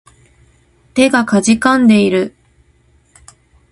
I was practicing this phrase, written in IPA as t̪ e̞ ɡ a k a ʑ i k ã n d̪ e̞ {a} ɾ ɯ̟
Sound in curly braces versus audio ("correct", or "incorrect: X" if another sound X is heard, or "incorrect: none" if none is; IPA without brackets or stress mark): incorrect: i